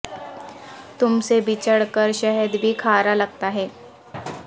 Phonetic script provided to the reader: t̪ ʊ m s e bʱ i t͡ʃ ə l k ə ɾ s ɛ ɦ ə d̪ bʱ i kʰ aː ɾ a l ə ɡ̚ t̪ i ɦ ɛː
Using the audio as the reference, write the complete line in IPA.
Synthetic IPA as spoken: t̪ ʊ m s e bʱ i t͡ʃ ə ɽ k ə ɾ ʃ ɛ ɦ ə d̪ bʱ i kʰ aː ɾ a l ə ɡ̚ t̪ a ɦ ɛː